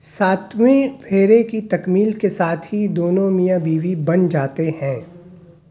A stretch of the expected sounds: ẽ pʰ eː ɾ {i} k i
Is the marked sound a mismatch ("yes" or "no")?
yes